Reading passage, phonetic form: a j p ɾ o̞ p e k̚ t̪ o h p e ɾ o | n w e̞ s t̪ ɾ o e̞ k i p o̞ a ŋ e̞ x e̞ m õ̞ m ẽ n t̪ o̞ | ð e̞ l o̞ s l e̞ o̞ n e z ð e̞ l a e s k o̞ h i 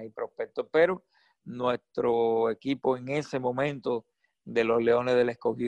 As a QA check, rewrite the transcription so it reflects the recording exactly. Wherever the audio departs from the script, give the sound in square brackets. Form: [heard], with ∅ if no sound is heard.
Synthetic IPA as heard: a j p ɾ o̞ p e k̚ t̪ o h p e ɾ o | n w e̞ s t̪ ɾ o e̞ k i p o̞ [e] ŋ e̞ [s] e̞ m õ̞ m ẽ n t̪ o̞ | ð e̞ l o̞ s l e̞ o̞ n e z ð e̞ l a e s k o̞ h i